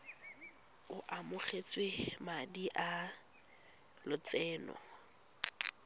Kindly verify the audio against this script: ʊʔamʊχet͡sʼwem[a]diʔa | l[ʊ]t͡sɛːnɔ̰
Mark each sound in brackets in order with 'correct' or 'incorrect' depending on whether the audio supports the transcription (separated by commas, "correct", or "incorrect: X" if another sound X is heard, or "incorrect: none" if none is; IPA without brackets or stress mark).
correct, correct